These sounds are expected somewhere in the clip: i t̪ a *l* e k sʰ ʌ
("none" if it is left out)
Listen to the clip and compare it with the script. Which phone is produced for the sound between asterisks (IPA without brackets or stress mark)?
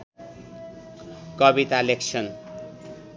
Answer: l